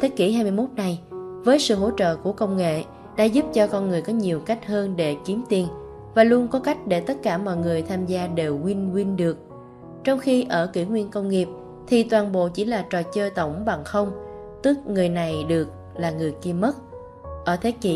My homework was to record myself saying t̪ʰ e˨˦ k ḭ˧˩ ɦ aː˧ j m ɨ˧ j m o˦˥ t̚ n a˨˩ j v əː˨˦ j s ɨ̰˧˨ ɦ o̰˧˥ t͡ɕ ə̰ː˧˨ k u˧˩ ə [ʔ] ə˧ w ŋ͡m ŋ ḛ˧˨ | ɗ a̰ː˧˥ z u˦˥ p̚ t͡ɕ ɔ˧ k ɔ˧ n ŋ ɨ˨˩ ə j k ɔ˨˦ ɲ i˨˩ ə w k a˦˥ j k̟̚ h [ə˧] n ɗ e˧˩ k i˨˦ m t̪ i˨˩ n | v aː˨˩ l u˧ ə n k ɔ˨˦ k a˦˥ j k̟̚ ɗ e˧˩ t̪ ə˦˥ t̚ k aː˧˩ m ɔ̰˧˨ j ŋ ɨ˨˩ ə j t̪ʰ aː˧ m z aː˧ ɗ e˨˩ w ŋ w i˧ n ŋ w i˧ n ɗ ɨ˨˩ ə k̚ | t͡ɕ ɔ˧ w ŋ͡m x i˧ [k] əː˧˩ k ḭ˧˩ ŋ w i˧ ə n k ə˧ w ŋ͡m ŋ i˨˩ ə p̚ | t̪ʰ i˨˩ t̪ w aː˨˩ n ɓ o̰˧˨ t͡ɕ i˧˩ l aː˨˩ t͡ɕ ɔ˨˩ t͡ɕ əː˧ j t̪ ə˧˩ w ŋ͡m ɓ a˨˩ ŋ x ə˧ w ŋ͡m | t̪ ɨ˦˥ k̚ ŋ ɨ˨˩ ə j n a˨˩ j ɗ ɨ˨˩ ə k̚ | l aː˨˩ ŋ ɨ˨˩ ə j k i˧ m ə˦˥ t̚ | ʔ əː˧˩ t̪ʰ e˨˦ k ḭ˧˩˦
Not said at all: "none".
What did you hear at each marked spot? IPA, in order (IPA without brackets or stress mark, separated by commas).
k, əː˧, ʔ